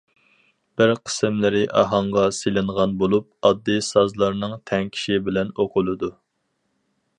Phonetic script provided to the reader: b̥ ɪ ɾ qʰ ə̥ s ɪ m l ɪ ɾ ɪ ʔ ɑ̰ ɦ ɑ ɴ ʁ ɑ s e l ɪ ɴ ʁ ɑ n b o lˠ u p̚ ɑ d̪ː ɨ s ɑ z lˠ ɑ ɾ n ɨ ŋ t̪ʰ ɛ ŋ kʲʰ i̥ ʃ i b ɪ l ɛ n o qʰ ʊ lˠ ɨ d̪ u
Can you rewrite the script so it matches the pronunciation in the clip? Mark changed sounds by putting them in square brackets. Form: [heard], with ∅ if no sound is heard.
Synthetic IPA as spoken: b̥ ɪ ɾ qʰ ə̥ s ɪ m l ɪ ɾ ɪ ʔ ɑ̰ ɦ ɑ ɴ ʁ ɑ s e l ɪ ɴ ʁ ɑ n b o lˠ u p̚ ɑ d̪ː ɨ s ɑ z lˠ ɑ ɾ n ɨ ŋ t̪ʰ ɛ ŋ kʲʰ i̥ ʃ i b ɪ l ɛ n o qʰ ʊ lˠ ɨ d̪ u

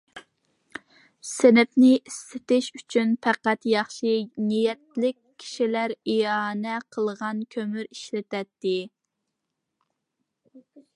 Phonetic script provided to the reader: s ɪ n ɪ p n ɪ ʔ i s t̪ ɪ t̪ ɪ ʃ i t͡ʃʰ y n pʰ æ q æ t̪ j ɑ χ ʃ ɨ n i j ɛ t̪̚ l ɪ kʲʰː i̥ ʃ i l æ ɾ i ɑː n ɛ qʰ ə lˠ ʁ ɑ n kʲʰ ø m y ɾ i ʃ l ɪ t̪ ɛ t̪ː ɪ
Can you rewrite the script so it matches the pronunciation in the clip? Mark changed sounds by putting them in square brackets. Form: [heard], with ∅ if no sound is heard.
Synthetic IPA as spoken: s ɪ n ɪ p n ɪ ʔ i s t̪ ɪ t̪ ɪ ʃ [y] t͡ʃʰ y n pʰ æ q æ t̪ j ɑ χ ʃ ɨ n i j ɛ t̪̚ l ɪ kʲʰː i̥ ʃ i l æ ɾ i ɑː n ɛ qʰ ə lˠ ʁ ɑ n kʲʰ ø m y ɾ i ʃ l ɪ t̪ ɛ t̪ː ɪ

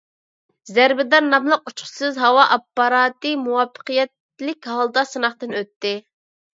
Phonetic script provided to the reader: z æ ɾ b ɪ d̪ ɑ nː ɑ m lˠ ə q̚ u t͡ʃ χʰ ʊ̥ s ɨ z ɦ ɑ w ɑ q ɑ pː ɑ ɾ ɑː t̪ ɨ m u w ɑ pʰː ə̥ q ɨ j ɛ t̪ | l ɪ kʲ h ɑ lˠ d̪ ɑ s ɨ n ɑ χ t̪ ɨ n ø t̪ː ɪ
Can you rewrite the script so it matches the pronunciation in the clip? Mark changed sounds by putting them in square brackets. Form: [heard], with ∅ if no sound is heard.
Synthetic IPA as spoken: z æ ɾ b ɪ d̪ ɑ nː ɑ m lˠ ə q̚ u t͡ʃ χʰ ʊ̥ s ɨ z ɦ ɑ w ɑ [ʔ] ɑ pː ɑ ɾ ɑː t̪ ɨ m u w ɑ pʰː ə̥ q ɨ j ɛ t̪ | l ɪ kʲ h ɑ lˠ d̪ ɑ s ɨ n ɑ χ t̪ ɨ n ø t̪ː ɪ

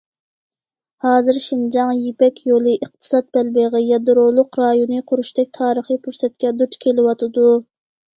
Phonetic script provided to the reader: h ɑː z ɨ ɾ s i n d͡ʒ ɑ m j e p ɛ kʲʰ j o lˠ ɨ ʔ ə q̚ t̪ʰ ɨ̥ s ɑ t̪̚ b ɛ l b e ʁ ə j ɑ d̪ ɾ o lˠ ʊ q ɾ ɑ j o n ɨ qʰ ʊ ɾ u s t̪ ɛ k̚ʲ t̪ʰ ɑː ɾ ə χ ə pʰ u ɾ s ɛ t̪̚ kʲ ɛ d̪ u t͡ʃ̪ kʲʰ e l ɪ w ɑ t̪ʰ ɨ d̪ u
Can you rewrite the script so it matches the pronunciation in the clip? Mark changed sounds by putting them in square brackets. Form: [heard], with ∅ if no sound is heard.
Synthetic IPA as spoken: h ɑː z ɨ ɾ [ʃ] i n d͡ʒ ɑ [ŋ] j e p ɛ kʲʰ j o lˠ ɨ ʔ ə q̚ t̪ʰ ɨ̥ s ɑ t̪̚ b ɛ l b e ʁ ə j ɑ d̪ ɾ o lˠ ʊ q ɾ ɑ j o n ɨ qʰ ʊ ɾ u [ʃ] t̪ ɛ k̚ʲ t̪ʰ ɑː ɾ ə χ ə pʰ u ɾ s ɛ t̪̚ kʲ ɛ d̪ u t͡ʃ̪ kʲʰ e l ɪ w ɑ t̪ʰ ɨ d̪ u

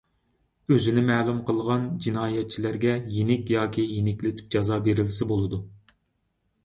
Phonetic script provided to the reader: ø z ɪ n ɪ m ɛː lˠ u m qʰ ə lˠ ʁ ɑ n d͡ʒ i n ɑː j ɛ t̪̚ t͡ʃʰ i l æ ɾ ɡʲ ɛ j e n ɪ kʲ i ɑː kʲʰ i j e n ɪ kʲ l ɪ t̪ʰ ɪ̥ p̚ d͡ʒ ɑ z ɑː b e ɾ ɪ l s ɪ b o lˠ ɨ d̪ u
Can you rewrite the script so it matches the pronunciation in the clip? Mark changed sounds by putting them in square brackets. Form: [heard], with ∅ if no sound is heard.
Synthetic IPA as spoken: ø z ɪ n ɪ m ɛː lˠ u m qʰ ə lˠ ʁ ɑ n d͡ʒ i n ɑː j ɛ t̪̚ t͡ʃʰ i l æ ɾ ɡʲ ɛ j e n ɪ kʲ [j] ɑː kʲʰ i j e n ɪ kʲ l ɪ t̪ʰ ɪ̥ p̚ d͡ʒ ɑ z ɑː b e ɾ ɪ l s ɪ b o lˠ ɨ d̪ u

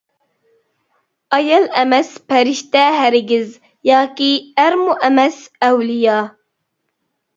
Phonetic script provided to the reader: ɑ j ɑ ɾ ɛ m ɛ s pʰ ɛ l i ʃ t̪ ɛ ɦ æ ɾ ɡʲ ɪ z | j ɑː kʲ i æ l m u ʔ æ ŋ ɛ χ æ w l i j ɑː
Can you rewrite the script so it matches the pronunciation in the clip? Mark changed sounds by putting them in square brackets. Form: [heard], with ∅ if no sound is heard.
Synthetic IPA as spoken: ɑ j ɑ [l] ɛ m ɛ s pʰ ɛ [ɾ] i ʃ t̪ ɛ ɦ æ ɾ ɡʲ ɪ z | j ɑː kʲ i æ [ɾ] m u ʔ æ [m] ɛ [s] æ w l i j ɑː

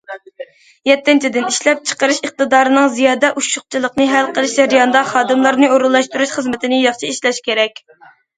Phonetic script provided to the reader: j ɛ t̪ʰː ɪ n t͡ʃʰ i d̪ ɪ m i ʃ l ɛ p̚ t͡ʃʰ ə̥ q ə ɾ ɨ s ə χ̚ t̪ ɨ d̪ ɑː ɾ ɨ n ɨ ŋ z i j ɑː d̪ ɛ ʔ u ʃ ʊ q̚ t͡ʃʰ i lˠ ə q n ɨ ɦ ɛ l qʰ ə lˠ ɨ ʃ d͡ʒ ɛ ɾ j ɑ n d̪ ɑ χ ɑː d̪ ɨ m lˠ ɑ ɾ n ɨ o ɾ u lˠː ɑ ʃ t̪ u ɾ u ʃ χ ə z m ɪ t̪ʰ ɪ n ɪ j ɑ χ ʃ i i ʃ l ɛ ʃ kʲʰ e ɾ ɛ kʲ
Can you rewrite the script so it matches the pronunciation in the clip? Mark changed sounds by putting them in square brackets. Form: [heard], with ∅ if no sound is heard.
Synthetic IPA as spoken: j ɛ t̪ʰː ɪ n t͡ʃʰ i d̪ ɪ [n] i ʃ l ɛ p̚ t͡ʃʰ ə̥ q ə ɾ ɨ [ʃ] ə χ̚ t̪ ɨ d̪ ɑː ɾ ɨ n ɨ ŋ z i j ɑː d̪ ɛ ʔ u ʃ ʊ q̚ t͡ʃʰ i lˠ ə q n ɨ ɦ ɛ l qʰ ə lˠ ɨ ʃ d͡ʒ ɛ ɾ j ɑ n d̪ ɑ χ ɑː d̪ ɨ m lˠ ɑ ɾ n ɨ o ɾ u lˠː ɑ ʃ t̪ u ɾ u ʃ χ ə z m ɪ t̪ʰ ɪ n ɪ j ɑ χ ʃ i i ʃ l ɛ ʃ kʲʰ e ɾ ɛ kʲ

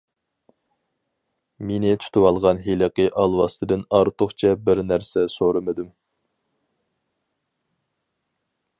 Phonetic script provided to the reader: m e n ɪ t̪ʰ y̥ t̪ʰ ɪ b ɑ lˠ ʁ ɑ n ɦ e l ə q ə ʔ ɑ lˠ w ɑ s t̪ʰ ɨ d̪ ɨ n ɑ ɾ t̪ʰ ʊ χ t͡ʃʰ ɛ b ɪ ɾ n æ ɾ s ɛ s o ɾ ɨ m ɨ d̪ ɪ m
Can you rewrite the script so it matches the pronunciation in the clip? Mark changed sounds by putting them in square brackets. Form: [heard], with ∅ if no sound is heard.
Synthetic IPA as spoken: m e n ɪ t̪ʰ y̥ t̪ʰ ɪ [w] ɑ lˠ ʁ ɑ n ɦ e l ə q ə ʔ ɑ lˠ w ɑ s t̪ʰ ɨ d̪ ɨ n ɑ ɾ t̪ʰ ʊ χ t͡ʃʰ ɛ b ɪ ɾ n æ ɾ s ɛ s o ɾ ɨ m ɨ d̪ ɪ m

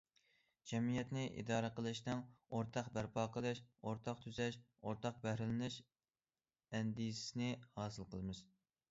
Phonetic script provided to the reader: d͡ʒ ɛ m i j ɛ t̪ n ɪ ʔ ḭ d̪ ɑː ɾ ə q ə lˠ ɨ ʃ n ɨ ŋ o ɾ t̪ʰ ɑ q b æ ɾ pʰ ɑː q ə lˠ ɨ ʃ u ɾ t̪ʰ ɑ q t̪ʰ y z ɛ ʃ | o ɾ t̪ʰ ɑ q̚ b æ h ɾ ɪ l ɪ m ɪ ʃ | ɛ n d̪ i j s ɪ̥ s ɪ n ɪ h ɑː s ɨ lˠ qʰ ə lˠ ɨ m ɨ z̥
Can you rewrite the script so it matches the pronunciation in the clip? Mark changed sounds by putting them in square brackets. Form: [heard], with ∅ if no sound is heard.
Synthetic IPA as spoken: d͡ʒ ɛ m i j ɛ t̪ n ɪ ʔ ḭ d̪ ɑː ɾ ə q ə lˠ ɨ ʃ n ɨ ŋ o ɾ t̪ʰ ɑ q b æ ɾ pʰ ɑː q ə lˠ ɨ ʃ [o] ɾ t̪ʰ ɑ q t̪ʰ y z ɛ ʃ | o ɾ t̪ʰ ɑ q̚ b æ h ɾ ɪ l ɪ [n] ɪ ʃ | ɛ n d̪ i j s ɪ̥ s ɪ n ɪ h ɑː s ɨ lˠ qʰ ə lˠ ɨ m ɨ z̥

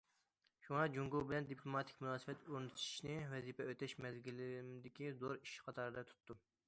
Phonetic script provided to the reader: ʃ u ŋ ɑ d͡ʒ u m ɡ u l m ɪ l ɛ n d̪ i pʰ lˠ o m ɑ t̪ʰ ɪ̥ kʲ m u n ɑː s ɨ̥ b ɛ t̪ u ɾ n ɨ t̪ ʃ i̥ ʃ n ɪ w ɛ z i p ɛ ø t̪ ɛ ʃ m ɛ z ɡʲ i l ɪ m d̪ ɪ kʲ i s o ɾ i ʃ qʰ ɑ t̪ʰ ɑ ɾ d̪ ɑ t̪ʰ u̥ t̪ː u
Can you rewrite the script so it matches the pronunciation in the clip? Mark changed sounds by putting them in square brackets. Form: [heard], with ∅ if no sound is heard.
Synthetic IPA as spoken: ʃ u ŋ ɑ d͡ʒ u [ŋ] ɡ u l [b] ɪ l ɛ n d̪ i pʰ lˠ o m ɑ t̪ʰ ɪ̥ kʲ m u n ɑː s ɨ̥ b ɛ t̪ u ɾ n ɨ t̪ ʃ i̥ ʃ n ɪ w ɛ z i p ɛ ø t̪ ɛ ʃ m ɛ z ɡʲ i l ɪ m d̪ ɪ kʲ i [z] o ɾ i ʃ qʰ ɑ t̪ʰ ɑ ɾ d̪ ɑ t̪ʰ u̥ t̪ː u

